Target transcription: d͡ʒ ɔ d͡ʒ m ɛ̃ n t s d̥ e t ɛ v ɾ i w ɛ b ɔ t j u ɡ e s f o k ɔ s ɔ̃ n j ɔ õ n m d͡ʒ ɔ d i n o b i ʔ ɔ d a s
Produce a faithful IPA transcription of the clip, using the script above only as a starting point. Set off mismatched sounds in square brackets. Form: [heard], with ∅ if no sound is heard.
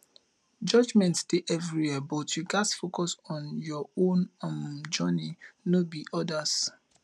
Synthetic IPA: d͡ʒ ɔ d͡ʒ m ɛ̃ n t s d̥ e [ʔ] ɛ v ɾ i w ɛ b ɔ t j u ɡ [a] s f o k ɔ s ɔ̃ n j ɔ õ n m d͡ʒ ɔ [n] i n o b i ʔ ɔ d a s